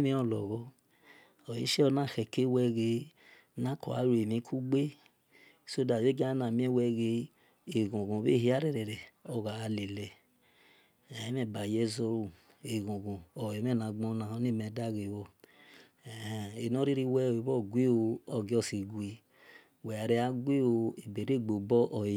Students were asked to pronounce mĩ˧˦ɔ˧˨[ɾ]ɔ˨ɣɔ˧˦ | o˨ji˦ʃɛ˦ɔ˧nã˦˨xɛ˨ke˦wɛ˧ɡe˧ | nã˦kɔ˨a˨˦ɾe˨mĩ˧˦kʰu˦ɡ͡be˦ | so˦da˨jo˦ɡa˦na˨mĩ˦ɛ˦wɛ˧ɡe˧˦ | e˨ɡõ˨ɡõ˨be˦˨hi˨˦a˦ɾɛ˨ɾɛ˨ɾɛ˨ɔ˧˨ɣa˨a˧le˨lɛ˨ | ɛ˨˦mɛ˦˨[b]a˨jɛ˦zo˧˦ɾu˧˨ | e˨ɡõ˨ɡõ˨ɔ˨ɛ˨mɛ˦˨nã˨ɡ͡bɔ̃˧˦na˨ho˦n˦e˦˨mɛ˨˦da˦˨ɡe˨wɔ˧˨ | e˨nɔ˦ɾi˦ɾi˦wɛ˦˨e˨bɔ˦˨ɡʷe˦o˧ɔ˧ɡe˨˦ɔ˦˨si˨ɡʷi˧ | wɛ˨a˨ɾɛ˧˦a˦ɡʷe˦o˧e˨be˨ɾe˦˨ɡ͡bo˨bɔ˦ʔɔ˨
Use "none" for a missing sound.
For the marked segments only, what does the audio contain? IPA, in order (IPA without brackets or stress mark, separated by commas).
l, b